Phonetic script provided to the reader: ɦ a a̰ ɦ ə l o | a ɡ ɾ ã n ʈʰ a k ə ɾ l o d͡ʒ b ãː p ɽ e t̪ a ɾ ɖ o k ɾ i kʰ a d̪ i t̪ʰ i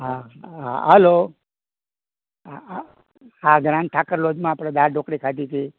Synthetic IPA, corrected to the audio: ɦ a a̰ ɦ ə l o | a ɡ ɾ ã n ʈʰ a k ə ɾ l o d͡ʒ m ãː p ɽ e d̪ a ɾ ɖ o k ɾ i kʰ a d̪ i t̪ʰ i